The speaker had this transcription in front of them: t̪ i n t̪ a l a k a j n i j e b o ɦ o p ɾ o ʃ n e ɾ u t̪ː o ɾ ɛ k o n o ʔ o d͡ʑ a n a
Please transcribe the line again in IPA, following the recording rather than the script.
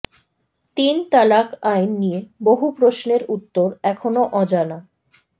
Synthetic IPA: t̪ i n t̪ a l a k a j nː i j e b o ɦ u p ɾ o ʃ n e ɾ u t̪ː o ɾ ɛ kʰ o n o ʔ ɔ d͡ʑ a n a

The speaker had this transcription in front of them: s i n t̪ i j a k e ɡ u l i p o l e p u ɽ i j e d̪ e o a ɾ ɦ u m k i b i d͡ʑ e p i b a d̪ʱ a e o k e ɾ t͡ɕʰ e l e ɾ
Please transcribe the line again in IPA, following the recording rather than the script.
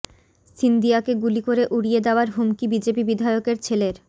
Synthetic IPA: s i n d̪ i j a k e ɡ u l i k o ɾ e ʔ u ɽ i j e d̪ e o a ɾ ɦ u m k i b i d͡ʑ e p i b i d̪ʱ a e o k e ɾ t͡ɕʰ e l e ɾ

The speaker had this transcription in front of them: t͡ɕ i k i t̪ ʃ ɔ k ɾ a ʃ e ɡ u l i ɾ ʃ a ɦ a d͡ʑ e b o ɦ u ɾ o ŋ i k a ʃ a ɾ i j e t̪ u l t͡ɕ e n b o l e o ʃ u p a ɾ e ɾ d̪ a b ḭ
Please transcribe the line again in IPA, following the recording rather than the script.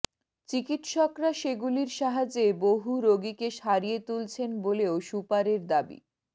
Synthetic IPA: t͡ɕ i k i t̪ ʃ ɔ k ɾ a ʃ e ɡ u l i ɾ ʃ a ɦ a d͡ʑ e b o ɦ u ɾ o ɡ i k e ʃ a ɾ i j e t̪ u l t͡ɕʰ e n b o l e o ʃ u p a ɾ e ɾ d̪ a b ḭ

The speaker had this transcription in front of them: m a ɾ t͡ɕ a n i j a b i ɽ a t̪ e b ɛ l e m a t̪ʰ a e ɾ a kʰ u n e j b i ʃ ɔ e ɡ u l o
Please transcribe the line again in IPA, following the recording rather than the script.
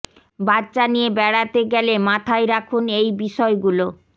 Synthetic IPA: b a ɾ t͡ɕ a n i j e b ɛ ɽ a t̪ e ɡ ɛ l e m a t̪ʰ a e ɾ a kʰ u n e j b i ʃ ɔ e ɡ u l o

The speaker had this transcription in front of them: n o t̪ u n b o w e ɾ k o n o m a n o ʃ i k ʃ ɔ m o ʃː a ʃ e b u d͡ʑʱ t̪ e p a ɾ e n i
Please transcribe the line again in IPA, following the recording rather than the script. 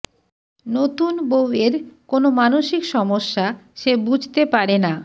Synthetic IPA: n o t̪ u n b o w e ɾ k o n o m a n o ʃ i k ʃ ɔ m o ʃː a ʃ e b u d͡ʑʱ t̪ e p a ɾ e n a

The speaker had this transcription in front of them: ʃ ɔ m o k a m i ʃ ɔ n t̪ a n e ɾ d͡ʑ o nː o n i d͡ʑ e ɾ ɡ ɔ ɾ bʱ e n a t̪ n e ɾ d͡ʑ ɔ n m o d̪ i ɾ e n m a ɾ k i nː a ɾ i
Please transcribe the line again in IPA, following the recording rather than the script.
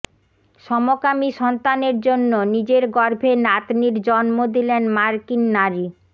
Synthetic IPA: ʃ ɔ m o k a m i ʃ ɔ n t̪ a n e ɾ d͡ʑ o nː o n i d͡ʑ e ɾ ɡ ɔ ɾ bʱ e n a t̪ n i ɾ d͡ʑ ɔ n m o d̪ i l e n m a ɾ k i nː a ɾ i

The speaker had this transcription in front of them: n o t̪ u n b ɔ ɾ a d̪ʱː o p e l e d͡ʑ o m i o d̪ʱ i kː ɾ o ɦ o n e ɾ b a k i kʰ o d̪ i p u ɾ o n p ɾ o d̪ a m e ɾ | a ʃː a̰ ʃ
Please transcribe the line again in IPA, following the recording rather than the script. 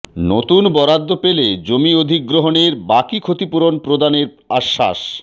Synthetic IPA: n o t̪ u n b ɔ ɾ a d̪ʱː o p e l e d͡ʑ o m i o d̪ʱ i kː ɾ o ɦ o n e ɾ b a k i kʰ o t̪ i p u ɾ o n p ɾ o d̪ a n e ɾ | a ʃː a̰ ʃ

